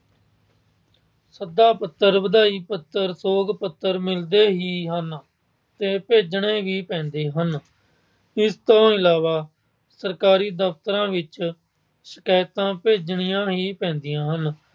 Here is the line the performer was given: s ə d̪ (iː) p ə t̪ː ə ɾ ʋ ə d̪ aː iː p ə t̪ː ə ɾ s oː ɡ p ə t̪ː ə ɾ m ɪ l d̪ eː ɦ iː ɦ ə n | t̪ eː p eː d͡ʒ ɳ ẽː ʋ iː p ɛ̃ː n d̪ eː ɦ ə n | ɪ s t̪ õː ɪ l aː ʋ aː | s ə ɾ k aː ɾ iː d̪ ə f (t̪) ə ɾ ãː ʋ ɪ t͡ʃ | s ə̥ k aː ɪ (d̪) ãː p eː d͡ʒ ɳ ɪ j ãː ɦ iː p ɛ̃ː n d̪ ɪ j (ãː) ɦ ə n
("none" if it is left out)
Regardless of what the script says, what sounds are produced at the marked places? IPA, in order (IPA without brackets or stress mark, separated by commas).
aː, t̪, t̪, ãː